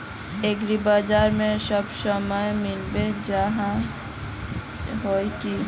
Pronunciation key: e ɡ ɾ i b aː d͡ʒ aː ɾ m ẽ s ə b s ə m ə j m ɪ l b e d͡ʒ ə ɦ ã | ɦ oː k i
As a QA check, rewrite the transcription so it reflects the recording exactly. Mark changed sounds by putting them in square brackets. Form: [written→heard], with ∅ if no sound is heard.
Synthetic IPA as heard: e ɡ ɾ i b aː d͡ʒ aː ɾ m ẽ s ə b s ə m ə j m ɪ l b e d͡ʒ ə ɦ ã | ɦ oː k i